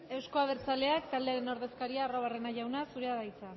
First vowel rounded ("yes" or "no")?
no